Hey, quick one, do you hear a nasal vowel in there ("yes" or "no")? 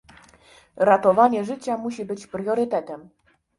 no